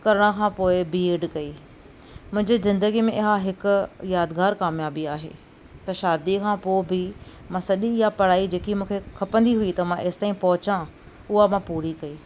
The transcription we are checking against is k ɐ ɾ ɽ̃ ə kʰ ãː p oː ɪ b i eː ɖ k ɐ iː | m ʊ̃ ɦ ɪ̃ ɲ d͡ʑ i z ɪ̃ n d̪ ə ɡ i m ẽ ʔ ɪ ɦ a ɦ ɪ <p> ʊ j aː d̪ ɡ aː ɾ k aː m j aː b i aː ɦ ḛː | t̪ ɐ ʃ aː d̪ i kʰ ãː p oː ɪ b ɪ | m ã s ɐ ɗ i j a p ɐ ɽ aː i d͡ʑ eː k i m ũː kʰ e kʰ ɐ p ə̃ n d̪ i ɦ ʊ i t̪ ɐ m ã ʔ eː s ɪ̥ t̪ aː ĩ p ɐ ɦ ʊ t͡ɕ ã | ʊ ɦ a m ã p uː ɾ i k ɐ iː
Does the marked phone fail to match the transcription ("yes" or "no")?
yes